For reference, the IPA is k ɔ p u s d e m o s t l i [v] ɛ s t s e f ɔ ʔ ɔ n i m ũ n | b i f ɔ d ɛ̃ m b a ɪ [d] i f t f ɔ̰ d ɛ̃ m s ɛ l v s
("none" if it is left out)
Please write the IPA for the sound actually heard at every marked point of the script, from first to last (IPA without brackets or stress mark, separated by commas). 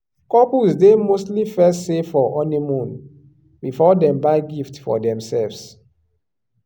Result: f, ɡ